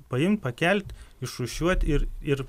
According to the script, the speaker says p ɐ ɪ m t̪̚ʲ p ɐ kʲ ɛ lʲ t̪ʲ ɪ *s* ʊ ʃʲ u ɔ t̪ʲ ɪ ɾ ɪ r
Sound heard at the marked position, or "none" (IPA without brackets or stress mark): ʃ